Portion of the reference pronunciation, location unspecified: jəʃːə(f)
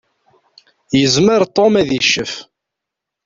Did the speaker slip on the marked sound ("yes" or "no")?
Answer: no